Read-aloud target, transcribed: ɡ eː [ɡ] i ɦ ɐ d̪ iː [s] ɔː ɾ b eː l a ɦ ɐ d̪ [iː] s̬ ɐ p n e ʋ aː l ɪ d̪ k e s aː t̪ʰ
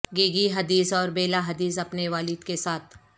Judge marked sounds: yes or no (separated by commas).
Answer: yes, yes, yes